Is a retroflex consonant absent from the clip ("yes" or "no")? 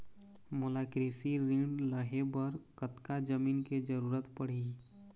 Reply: no